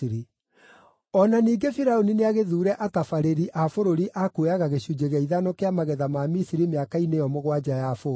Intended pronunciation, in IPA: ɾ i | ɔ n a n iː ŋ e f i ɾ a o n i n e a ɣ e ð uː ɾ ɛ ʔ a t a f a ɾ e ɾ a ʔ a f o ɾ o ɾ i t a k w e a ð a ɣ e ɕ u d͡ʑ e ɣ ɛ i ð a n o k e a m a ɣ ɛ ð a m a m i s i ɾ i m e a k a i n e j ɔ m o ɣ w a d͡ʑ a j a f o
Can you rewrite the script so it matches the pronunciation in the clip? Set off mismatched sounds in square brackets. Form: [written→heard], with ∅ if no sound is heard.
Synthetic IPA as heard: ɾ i | ɔ n a n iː [ŋ→ɡ] e f i ɾ a o n i n e a ɣ e ð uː ɾ ɛ ʔ a t a f a ɾ e ɾ [a→i] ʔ a f o ɾ o ɾ i [t→ʔ] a k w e a [ð→ɣ] a ɣ e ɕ u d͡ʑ e ɣ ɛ i ð a n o k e a m a ɣ ɛ ð a m a m i s i ɾ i m e a k a i n e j ɔ m o ɣ w a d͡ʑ a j a f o